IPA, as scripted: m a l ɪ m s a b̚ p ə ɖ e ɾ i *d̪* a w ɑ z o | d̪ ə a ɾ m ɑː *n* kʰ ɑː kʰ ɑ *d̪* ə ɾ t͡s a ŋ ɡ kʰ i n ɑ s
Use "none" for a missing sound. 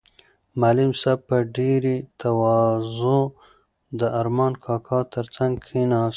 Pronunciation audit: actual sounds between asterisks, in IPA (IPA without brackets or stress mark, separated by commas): t̪, n, t̪